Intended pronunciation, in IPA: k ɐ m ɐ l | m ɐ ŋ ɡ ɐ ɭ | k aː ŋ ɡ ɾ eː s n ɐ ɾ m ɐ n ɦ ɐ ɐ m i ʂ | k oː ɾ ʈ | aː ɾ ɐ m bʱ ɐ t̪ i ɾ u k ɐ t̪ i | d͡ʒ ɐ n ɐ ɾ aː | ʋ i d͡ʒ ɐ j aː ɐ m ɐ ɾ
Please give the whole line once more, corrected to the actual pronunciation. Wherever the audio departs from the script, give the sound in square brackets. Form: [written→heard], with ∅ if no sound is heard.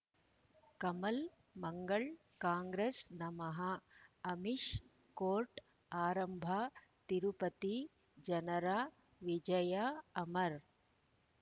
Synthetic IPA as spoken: k ɐ m ɐ l | m ɐ ŋ ɡ ɐ ɭ | k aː ŋ ɡ ɾ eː s n ɐ [ɾ→∅] m ɐ [n→∅] ɦ ɐ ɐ m i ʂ | k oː ɾ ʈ | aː ɾ ɐ m bʱ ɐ t̪ i ɾ u [k→p] ɐ t̪ i | d͡ʒ ɐ n ɐ ɾ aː | ʋ i d͡ʒ ɐ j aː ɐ m ɐ ɾ